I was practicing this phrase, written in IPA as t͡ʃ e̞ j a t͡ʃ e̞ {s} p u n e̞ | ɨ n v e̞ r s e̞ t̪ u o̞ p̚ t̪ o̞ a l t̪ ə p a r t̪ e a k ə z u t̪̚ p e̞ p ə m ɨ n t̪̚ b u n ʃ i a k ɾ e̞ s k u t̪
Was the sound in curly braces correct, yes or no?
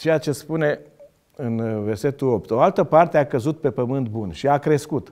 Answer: yes